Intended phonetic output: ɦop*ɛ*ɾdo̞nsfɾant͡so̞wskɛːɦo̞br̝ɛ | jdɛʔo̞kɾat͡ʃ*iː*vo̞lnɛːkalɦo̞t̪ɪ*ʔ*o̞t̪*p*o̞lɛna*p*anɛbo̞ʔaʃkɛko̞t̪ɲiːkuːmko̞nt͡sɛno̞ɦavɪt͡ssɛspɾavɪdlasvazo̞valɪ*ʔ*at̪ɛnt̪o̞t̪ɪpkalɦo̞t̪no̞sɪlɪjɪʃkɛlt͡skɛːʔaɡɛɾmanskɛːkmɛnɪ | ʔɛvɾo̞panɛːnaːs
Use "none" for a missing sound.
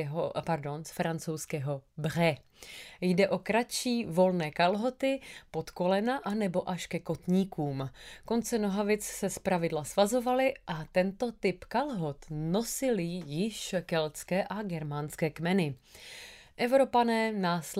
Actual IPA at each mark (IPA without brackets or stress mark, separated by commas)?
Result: a, iː, p, k, ʔ, ʔ